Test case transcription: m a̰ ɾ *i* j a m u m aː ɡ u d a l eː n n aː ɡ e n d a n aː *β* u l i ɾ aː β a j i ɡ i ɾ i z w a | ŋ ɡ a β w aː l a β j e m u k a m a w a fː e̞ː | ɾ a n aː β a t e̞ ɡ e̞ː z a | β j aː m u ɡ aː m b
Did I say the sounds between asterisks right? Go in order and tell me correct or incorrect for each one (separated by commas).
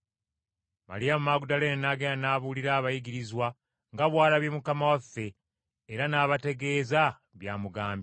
correct, correct